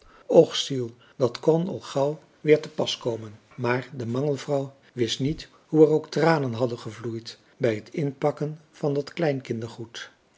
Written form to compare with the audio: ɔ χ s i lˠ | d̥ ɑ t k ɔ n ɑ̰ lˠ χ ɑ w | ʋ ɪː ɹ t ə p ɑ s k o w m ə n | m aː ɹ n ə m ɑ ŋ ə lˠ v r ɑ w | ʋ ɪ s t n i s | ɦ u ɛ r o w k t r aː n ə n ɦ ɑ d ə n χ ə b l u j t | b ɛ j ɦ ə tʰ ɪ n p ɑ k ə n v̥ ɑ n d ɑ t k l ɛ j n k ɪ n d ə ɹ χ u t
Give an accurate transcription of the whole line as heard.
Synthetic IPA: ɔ χ s i lˠ | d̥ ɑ t k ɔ n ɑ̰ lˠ χ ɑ w | ʋ ɪː ɹ t ə p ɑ s k o w m ə n | m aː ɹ d ə m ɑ ŋ ə lˠ v r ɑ w | ʋ ɪ s t n i t | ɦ u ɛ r o w k t r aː n ə n ɦ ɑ d ə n χ ə v l u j t | b ɛ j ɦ ə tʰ ɪ n p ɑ k ə n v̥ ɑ n d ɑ t k l ɛ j n k ɪ n d ə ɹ χ u t

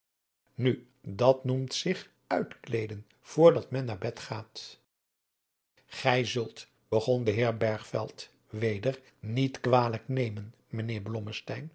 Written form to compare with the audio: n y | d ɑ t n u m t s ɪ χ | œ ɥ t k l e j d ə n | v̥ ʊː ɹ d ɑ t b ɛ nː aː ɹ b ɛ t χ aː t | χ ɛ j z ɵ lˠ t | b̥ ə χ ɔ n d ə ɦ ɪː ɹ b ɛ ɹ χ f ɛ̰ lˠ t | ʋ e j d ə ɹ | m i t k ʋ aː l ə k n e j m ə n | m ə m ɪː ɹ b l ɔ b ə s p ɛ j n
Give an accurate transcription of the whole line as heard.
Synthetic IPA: n y | d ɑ t n u m t s ɪ χ | œ ɥ t k l e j d ə n | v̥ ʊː ɹ d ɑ t m ɛ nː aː ɹ b ɛ t χ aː t | χ ɛ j z ɵ lˠ t | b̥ ə χ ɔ n d ə ɦ ɪː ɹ b ɛ ɹ χ f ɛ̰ lˠ t | ʋ e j d ə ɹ | n i t k ʋ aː l ə k n e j m ə n | m ə n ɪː ɹ b l ɔ m ə s t ɛ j n

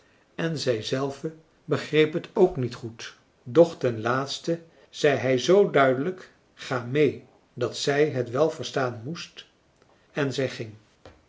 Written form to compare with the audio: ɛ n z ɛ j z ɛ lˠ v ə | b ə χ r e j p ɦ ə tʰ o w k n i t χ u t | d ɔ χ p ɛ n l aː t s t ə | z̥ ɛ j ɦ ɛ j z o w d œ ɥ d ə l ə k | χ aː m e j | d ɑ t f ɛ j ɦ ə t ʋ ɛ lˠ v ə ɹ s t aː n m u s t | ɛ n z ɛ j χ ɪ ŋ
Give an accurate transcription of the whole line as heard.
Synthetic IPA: ɛ n z ɛ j z ɛ lˠ v ə | b ə χ r e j p ɦ ə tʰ o w k n i t χ u t | d ɔ χ t ɛ n l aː t s t ə | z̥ ɛ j ɦ ɛ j z o w d œ ɥ d ə l ə k | χ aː m e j | d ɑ t s ɛ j ɦ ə t ʋ ɛ lˠ v ə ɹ s t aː n m u s t | ɛ n z ɛ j χ ɪ ŋ

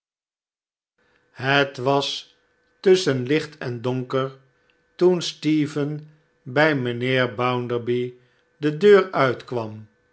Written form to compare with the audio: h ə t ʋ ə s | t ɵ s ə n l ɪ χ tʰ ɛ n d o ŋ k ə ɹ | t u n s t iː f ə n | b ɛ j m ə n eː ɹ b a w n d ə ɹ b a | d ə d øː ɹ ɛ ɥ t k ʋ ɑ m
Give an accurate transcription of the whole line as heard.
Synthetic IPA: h ə t ʋ ɑ s | t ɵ s ə n l ɪ χ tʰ ɛ n d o ŋ k ə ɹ | t u n s t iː v ə n | b ɛ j m ə n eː ɹ b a w n d ə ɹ b i | d ə d øː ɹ œ ɥ t k ʋ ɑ m

